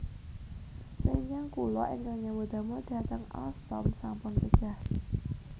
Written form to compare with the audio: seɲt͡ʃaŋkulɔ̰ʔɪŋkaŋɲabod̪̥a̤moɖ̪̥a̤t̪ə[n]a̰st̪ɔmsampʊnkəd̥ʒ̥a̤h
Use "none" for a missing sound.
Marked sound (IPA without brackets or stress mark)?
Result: ŋ